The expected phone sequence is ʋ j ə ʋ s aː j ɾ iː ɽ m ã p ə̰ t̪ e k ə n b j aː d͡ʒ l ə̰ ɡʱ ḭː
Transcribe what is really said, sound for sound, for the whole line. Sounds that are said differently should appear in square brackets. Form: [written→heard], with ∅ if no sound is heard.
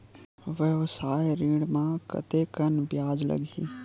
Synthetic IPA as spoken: ʋ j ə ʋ s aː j ɾ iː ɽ m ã [p→k] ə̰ t̪ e k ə n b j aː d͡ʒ l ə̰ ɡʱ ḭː